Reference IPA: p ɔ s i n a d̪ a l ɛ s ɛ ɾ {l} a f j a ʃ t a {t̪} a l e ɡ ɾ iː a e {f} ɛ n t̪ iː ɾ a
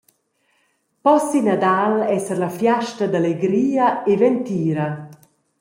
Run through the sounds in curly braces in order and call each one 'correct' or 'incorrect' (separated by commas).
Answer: correct, incorrect, incorrect